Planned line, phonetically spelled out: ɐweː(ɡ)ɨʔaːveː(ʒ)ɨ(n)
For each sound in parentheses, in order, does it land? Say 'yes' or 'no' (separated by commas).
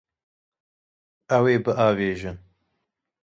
no, yes, yes